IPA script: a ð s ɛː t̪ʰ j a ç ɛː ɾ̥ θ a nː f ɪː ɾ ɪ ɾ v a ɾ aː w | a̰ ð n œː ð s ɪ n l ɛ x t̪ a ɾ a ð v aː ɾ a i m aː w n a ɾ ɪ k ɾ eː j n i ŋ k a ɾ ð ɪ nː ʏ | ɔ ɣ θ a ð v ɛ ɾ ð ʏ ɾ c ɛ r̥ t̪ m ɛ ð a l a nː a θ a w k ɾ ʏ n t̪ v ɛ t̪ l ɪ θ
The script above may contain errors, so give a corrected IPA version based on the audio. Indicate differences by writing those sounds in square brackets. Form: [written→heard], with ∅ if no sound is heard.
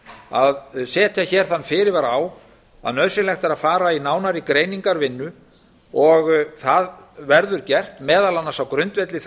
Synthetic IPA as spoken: a ð s ɛː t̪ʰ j a ç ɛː ɾ̥ θ a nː f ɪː ɾ ɪ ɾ v a ɾ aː w | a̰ ð n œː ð s ɪ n l ɛ x t̪ a ɾ a ð [v→f] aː ɾ a i [m→n] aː w n a ɾ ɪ k ɾ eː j n i ŋ k a ɾ [ð→v] ɪ nː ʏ | ɔ ɣ θ a ð v ɛ ɾ ð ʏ ɾ c ɛ r̥ t̪ m [ɛ→ɛː] ð a l a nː a [θ→s] a w k ɾ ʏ n t̪ v ɛ t̪ l ɪ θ